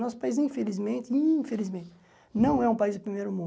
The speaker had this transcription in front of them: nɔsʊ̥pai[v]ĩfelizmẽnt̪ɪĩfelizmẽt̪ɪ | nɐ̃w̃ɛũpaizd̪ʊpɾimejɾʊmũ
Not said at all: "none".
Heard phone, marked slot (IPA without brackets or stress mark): z